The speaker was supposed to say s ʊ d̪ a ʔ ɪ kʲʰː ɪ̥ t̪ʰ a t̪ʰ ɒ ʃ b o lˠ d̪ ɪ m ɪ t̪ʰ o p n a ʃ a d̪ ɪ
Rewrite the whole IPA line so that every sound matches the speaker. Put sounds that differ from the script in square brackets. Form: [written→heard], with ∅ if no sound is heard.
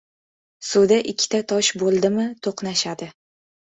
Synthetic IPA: s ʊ d̪ a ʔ ɪ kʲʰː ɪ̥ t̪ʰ a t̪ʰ ɒ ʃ b o lˠ d̪ ɪ m ɪ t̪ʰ o [p→q] n a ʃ a d̪ ɪ